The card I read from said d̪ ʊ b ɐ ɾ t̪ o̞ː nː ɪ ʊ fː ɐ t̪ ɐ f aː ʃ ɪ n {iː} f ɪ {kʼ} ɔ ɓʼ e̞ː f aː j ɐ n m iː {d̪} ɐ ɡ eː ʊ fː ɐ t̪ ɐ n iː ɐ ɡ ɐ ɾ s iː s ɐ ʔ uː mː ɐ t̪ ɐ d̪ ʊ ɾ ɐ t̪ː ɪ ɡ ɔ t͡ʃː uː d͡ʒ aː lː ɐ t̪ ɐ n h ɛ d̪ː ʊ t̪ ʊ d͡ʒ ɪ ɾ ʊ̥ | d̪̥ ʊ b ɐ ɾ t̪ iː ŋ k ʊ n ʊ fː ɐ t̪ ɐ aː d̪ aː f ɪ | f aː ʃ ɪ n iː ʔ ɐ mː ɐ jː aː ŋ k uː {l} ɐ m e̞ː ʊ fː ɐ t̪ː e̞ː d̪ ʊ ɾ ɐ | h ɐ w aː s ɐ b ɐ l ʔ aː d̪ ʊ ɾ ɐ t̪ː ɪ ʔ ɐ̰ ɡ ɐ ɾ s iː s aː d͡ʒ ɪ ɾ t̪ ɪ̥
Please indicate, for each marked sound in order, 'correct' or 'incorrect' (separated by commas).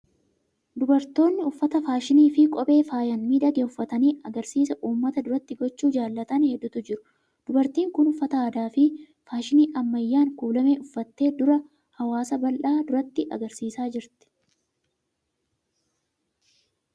correct, correct, correct, correct